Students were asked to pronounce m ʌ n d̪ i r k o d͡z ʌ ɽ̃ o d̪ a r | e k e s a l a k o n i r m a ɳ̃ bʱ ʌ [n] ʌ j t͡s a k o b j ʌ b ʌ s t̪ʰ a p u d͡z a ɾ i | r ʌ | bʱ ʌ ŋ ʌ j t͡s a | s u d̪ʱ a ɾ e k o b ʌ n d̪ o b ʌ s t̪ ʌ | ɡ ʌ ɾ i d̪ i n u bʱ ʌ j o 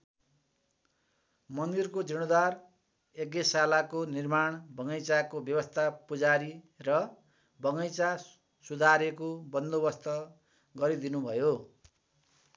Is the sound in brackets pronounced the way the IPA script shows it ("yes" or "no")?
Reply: no